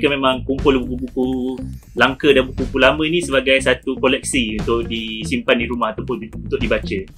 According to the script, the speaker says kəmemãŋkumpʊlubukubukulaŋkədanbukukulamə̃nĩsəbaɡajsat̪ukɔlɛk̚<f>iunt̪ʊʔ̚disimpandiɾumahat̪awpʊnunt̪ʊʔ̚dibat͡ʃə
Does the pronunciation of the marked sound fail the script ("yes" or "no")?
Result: yes